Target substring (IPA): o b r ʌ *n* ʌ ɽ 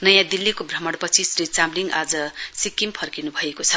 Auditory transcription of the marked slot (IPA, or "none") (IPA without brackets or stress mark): m